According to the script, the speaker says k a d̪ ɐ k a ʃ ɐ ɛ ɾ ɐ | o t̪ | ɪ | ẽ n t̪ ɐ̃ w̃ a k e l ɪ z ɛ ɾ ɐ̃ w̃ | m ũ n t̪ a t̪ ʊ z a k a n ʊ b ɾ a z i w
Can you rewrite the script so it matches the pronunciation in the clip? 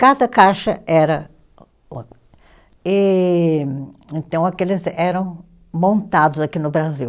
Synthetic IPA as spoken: k a d̪ ɐ k a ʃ ɐ ɛ ɾ ɐ | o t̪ | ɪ | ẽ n t̪ ɐ̃ w̃ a k e l ɪ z ɛ ɾ ɐ̃ w̃ | m õ n t̪ a d̪ ʊ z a k i n ʊ b ɾ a z i w